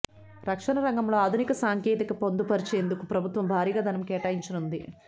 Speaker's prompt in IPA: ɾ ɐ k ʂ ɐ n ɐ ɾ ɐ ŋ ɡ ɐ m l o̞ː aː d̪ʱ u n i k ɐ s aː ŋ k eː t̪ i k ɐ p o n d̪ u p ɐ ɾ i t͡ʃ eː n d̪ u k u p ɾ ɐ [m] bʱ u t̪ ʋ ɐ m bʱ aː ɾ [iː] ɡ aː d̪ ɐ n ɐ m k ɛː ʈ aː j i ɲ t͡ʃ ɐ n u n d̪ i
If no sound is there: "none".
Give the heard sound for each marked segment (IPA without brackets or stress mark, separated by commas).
none, iː